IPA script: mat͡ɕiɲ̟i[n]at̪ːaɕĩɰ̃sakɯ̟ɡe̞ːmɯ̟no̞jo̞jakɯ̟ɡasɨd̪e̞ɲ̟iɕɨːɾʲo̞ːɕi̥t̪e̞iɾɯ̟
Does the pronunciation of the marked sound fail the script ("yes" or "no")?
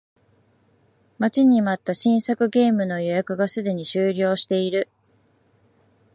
yes